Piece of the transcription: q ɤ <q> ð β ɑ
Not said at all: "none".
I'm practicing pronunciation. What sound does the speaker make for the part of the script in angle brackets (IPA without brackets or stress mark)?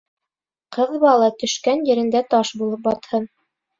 none